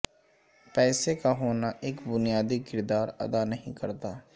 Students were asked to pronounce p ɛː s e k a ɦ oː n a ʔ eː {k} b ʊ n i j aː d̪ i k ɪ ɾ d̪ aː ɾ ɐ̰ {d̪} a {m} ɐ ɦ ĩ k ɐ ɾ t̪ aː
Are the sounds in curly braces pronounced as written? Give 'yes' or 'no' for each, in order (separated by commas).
yes, yes, no